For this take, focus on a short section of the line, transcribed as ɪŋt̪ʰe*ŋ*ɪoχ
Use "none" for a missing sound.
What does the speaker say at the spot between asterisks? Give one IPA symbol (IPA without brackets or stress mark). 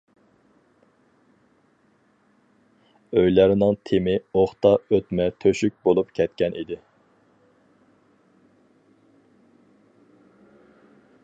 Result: m